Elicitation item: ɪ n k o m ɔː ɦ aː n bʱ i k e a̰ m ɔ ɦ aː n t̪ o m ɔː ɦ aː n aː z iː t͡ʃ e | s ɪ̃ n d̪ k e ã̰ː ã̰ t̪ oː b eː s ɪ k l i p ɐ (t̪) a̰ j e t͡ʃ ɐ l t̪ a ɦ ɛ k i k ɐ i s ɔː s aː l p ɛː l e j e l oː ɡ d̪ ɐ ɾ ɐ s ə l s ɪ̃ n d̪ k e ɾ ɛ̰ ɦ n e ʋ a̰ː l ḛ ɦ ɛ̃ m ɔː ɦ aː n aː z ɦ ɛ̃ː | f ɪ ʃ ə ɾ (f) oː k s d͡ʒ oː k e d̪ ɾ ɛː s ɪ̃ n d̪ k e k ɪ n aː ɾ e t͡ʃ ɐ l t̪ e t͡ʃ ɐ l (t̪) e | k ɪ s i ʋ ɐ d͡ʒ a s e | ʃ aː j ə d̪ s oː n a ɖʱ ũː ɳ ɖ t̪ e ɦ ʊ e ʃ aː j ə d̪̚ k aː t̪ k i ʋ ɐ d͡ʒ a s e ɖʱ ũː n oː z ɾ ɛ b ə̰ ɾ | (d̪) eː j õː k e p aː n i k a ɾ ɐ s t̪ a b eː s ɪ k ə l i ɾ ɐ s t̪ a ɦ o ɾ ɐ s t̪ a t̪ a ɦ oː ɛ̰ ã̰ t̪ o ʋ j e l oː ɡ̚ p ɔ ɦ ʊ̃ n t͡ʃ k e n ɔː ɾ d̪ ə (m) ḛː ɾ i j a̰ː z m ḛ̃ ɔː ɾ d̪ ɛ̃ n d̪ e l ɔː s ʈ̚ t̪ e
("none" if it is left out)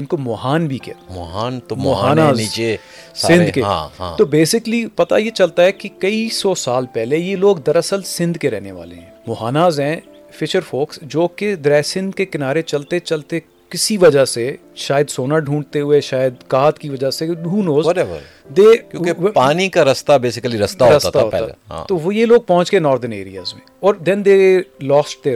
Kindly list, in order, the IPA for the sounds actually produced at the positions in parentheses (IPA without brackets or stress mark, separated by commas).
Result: t̪, f, t̪, d̪, n